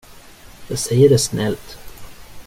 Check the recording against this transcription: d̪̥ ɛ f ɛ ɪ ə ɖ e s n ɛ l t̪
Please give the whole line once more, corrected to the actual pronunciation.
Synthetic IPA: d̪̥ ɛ s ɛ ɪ ə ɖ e s n ɛ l t̪